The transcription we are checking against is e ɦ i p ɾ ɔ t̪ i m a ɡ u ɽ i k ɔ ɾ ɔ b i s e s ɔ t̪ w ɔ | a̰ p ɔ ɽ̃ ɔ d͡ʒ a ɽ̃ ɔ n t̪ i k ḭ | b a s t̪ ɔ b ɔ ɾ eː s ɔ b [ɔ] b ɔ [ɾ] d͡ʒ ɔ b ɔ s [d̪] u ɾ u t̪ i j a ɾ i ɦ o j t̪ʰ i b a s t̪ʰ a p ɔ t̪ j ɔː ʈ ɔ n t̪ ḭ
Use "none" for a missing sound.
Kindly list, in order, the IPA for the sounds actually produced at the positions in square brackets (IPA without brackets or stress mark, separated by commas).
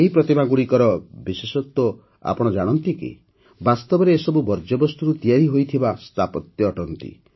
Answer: u, ɾ, t̪